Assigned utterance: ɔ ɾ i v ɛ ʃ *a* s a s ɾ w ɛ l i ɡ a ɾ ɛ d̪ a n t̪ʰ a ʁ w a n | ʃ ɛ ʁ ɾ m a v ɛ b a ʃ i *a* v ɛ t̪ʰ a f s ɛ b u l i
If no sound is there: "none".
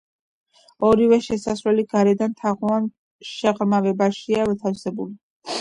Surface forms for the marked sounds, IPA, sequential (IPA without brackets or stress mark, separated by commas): ɛ, a